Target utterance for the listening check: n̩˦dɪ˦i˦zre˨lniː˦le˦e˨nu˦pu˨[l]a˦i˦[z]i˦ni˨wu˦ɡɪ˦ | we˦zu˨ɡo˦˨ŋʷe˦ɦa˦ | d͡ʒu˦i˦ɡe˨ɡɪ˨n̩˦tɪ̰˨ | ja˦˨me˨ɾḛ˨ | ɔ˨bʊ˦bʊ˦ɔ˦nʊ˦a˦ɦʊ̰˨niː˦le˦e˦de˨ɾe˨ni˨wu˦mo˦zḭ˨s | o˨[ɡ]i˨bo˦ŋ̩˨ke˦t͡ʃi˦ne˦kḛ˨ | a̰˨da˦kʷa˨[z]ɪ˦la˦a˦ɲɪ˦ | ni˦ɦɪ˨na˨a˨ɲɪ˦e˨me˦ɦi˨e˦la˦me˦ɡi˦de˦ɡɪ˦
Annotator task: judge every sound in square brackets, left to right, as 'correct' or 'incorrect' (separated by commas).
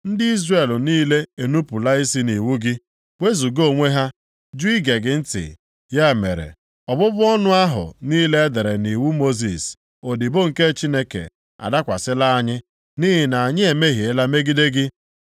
correct, incorrect, incorrect, incorrect